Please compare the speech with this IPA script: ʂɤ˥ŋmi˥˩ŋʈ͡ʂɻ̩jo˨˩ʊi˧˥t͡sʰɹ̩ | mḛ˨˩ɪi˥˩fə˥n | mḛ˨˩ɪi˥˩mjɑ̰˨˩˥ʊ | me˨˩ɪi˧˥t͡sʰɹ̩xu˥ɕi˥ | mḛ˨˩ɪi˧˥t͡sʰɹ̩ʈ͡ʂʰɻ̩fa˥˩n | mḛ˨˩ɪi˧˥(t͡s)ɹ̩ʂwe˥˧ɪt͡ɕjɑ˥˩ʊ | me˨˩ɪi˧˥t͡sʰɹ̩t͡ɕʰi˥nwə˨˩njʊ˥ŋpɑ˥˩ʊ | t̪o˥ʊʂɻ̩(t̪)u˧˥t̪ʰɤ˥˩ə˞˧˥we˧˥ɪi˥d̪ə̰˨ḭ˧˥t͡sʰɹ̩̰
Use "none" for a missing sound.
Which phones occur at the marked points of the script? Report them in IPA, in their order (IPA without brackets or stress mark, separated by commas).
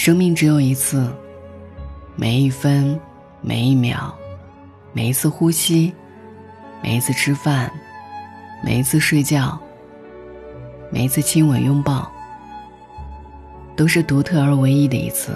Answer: t͡sʰ, t̪